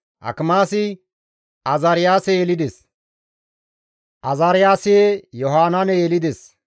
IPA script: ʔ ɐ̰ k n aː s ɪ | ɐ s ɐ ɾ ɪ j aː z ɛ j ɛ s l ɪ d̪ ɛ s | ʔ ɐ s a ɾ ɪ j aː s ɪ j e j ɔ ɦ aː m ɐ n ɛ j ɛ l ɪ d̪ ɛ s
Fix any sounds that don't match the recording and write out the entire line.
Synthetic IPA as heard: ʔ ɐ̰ k m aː s ɪ | ɐ z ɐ ɾ ɪ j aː s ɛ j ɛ l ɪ d̪ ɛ s | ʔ ɐ z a ɾ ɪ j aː s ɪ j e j ɔ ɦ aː n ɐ n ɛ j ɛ l ɪ d̪ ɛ s